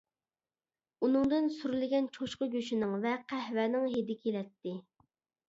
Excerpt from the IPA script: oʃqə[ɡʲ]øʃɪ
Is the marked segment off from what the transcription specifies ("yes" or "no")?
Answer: no